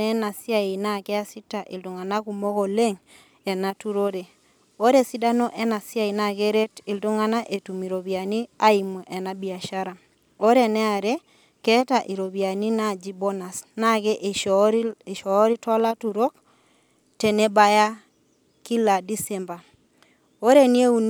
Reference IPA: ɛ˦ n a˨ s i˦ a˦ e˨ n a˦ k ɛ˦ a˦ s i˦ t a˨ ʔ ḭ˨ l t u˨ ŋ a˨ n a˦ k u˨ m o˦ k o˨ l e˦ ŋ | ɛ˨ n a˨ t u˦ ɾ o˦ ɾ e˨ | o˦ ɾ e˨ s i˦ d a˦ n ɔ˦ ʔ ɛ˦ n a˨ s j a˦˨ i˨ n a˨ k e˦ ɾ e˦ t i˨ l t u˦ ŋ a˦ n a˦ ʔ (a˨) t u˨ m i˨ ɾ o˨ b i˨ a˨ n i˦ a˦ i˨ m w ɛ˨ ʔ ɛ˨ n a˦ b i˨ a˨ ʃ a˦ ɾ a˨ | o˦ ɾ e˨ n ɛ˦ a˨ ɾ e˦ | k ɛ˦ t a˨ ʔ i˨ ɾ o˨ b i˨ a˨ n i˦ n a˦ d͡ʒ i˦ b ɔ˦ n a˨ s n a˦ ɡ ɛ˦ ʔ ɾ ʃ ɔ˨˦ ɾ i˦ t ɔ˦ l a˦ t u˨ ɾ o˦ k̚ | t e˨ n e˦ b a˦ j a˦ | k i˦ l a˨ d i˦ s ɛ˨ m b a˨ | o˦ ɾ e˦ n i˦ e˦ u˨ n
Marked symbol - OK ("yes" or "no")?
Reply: no